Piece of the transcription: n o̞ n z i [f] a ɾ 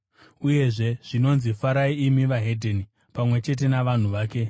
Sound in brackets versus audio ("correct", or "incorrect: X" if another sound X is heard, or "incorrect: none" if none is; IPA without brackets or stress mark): correct